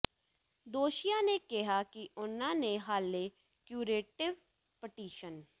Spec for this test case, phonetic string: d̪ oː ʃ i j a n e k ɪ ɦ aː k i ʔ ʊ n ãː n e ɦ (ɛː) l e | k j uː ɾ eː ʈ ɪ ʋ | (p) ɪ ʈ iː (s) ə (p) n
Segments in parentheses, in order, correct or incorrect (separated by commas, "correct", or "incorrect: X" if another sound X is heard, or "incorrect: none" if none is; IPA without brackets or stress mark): incorrect: aː, correct, incorrect: ʃ, incorrect: none